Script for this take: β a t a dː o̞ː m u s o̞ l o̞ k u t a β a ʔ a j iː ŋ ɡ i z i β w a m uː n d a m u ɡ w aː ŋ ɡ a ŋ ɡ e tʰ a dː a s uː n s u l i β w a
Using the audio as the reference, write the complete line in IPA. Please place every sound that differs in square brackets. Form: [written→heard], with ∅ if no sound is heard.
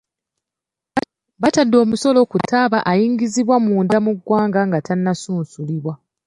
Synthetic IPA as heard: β a t a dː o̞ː m u s o̞ l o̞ k u t a β a ʔ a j iː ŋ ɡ i z i β w a m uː n d a m u ɡ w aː ŋ ɡ a ŋ ɡ [e→a] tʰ a [dː→nː] a s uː n s u l i β w a